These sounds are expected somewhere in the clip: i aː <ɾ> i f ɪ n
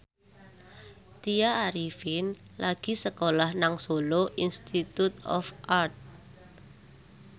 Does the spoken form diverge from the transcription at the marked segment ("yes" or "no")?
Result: no